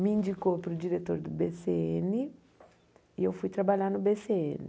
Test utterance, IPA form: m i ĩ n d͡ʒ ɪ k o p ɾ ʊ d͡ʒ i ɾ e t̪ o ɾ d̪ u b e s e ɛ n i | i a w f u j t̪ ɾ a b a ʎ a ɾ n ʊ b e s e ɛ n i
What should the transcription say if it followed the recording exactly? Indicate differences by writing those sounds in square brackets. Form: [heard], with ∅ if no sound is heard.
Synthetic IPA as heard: m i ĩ n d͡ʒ [i] k o p ɾ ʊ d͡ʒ i ɾ e t̪ o ɾ d̪ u b e s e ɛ n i | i [e] w f u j t̪ ɾ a b a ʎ a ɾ n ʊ b e s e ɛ n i